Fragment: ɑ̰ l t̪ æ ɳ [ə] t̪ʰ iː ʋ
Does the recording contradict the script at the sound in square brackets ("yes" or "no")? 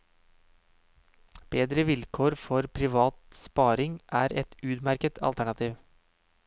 yes